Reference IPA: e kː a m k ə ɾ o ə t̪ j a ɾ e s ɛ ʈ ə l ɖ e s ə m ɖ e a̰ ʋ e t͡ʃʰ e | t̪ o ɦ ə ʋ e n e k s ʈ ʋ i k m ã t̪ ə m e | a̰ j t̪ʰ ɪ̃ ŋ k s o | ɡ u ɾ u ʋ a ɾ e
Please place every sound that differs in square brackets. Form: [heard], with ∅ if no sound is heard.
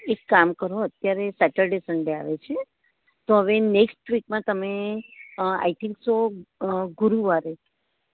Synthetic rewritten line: e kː a m k ə ɾ o ə t̪ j a ɾ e s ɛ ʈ ə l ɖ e s ə [ɳ] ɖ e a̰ ʋ e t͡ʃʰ e | t̪ o ɦ ə ʋ e n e k s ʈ ʋ i k m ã t̪ ə m e | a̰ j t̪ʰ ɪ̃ ŋ k s o | ɡ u ɾ u ʋ a ɾ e